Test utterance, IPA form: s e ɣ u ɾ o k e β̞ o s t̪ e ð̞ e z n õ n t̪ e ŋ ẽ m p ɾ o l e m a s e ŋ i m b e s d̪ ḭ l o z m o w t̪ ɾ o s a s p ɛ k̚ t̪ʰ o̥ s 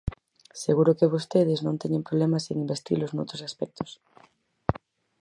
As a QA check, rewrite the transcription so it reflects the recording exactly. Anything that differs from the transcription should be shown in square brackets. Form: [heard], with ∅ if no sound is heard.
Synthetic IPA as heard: s e ɣ u ɾ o k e β̞ o s t̪ e ð̞ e z n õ n t̪ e [ɲ] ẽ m p ɾ o l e m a s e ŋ i m b e s [t̪] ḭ l o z [n] o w t̪ ɾ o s a s p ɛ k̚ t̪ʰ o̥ s